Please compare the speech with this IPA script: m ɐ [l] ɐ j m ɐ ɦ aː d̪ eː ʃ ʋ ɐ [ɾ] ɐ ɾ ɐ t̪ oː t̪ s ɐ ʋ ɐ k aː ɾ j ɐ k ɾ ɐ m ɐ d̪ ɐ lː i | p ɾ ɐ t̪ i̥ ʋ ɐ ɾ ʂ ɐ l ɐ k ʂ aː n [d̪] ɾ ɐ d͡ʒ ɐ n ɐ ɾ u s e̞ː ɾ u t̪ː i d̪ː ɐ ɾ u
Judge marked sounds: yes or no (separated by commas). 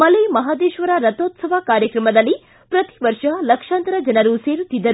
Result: yes, yes, no